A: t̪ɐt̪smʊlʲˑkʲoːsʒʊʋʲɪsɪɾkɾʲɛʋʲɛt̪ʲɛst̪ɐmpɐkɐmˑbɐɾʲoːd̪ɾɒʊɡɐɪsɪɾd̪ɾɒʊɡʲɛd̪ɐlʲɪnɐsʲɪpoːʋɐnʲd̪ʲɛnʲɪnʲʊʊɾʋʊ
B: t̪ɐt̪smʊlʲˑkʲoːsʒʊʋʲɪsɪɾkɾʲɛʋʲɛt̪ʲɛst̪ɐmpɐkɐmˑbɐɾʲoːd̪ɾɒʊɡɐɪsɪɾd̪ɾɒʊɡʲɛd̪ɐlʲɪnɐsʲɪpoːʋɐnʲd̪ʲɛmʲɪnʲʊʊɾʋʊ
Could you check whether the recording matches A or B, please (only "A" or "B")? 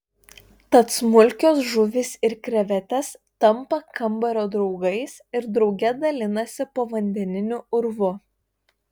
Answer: A